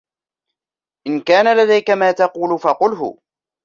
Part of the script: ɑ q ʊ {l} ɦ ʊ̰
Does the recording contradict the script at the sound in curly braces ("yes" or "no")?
no